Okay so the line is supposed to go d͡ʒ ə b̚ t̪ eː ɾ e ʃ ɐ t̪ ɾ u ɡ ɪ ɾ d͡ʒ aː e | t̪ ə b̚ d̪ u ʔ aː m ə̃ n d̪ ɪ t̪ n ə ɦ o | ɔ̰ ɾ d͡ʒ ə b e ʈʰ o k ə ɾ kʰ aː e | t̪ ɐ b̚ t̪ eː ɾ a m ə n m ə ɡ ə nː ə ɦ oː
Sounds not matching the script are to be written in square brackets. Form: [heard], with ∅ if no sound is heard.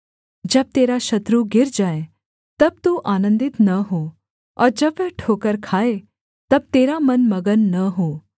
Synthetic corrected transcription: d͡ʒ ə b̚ t̪ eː ɾ [a] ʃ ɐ t̪ ɾ u ɡ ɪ ɾ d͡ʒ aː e | t̪ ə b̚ [t̪] u ʔ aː [n] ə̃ n d̪ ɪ t̪ n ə ɦ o | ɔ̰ ɾ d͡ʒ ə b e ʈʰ o k ə ɾ kʰ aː e | t̪ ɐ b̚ t̪ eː ɾ a m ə n m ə ɡ ə nː ə ɦ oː